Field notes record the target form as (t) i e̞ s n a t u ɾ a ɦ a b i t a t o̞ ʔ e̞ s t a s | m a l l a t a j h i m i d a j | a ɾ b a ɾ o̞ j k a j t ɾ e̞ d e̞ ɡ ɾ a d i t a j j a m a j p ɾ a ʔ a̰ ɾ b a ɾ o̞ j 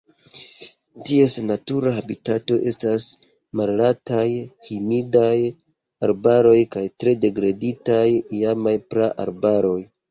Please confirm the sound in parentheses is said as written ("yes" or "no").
yes